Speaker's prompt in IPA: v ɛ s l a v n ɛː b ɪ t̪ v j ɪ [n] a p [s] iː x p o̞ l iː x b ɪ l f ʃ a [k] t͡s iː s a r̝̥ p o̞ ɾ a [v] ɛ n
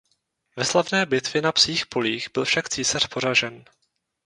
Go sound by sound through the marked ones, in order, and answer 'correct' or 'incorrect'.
correct, correct, correct, incorrect: ʒ

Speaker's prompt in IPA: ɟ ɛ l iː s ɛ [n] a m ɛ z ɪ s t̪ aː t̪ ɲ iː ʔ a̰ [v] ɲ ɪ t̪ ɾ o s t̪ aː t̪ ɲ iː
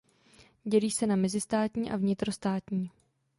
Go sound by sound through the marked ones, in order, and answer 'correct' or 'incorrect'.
correct, correct

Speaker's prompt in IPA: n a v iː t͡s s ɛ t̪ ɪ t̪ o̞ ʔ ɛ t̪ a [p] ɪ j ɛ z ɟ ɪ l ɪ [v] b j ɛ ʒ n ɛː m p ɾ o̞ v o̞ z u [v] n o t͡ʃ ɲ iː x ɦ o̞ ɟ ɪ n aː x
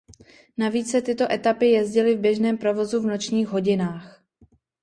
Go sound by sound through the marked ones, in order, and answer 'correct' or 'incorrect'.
correct, correct, correct

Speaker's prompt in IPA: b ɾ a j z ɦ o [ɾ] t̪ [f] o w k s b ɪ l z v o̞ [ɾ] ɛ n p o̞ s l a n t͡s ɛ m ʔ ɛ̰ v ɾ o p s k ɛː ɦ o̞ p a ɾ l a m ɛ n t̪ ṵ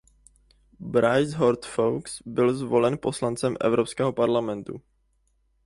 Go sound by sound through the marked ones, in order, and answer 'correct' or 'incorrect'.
correct, correct, incorrect: l

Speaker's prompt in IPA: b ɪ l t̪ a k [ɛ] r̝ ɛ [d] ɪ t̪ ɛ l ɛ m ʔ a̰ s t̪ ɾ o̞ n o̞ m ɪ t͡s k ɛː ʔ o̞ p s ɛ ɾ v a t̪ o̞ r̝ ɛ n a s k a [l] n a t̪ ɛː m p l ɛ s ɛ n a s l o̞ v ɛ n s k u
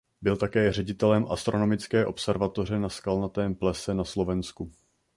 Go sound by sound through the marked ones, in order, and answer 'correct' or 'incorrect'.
incorrect: ɛː, incorrect: ɟ, correct

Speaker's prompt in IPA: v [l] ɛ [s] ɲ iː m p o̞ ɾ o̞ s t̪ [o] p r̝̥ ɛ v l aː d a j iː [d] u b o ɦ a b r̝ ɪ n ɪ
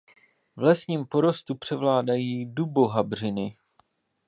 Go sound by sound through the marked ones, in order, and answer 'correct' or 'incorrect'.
correct, correct, incorrect: u, correct

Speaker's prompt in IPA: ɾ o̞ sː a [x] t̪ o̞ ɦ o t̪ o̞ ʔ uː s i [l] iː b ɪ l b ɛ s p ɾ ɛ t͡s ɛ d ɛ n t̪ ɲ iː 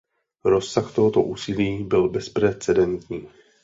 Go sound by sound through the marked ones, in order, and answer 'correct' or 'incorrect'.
correct, correct

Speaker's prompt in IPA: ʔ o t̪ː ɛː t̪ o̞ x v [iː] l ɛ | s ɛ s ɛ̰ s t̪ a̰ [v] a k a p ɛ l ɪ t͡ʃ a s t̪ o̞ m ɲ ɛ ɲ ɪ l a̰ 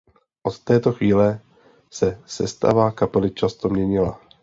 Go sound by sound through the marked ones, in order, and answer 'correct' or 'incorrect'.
correct, correct

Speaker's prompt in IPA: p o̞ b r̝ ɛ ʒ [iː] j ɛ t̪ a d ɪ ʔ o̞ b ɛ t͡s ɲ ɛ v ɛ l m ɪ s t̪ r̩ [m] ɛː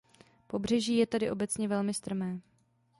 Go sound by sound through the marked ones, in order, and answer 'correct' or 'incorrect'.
correct, correct

